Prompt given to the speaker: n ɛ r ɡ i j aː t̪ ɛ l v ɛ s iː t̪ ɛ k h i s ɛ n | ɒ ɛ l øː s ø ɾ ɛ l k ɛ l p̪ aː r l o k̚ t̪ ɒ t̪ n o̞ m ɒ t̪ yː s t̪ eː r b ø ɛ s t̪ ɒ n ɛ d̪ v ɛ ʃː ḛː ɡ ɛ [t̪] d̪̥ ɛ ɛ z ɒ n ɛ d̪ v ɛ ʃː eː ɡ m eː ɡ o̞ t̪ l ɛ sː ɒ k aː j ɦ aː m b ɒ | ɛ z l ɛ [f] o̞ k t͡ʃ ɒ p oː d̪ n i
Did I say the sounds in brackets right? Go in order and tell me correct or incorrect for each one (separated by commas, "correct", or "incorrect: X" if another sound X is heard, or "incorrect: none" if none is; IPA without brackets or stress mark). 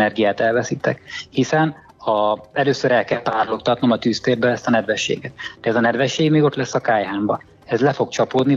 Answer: correct, correct